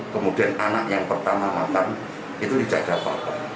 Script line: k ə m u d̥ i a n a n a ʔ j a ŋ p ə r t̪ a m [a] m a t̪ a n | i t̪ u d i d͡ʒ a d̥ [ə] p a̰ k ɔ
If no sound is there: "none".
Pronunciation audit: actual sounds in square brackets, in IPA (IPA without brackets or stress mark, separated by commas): a, a